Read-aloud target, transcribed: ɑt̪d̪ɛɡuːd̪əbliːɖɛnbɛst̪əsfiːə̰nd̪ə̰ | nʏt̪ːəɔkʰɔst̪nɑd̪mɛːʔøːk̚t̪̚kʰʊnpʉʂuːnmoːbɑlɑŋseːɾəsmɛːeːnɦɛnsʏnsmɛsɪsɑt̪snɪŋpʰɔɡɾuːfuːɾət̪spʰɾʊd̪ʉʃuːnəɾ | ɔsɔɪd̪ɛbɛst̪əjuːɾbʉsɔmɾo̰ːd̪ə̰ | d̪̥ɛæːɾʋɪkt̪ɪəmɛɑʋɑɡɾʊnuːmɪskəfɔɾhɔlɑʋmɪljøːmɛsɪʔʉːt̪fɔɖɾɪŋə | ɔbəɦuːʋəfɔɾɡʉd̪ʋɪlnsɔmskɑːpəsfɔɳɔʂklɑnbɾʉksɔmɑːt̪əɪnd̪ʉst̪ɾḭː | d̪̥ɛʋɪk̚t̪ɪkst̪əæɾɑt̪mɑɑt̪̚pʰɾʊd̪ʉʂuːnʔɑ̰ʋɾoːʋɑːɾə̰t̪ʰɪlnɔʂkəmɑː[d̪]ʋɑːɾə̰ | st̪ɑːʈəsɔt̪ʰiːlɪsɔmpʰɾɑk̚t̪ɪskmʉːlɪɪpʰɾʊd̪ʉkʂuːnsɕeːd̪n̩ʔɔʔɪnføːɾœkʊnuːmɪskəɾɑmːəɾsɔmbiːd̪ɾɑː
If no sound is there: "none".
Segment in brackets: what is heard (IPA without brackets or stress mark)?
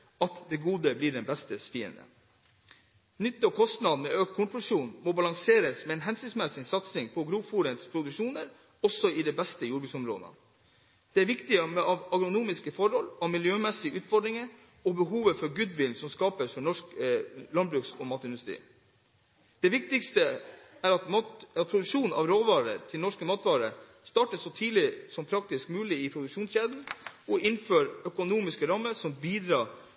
t̪